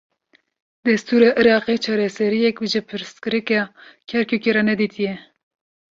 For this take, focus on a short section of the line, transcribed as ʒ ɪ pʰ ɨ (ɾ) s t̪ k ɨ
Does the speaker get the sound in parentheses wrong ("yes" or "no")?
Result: no